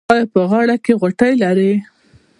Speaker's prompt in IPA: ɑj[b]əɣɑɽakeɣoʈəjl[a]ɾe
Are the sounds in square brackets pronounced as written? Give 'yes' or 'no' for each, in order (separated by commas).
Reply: no, yes